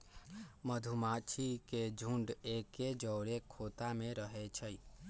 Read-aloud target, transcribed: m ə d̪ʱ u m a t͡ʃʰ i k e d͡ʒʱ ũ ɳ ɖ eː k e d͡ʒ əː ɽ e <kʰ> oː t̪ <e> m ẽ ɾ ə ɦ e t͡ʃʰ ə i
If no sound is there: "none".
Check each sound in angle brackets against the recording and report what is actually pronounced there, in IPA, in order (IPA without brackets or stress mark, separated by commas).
kʰ, a